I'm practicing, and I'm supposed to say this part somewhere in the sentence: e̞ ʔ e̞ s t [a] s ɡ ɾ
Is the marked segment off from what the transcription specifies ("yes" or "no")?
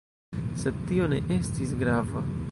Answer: yes